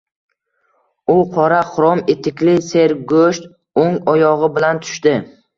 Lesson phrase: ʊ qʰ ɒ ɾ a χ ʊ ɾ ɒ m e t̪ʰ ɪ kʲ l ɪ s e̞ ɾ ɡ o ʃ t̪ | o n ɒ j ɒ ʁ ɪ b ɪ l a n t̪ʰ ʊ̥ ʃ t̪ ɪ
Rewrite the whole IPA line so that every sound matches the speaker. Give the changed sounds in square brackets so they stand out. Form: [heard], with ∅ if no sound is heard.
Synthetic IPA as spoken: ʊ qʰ ɒ ɾ a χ ʊ ɾ ɒ m e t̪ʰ ɪ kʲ l ɪ s e̞ ɾ ɡ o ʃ t̪ | o [ŋ] ɒ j ɒ ʁ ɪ b ɪ l a n t̪ʰ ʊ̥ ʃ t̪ ɪ